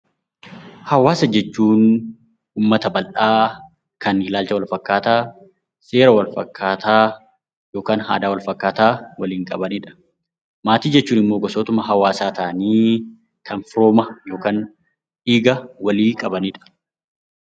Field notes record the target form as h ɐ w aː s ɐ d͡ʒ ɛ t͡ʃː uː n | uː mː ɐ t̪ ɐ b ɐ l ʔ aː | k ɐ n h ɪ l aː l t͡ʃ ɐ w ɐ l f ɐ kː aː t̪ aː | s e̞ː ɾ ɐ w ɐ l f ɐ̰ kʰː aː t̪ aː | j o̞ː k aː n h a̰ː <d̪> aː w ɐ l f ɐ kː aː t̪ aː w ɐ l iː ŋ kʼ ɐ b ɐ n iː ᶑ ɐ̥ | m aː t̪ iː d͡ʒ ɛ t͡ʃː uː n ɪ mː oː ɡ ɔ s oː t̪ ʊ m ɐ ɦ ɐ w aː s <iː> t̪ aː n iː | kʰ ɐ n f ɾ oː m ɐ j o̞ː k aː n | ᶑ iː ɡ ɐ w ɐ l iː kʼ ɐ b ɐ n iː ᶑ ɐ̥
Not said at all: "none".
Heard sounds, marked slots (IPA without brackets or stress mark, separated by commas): d̪, aː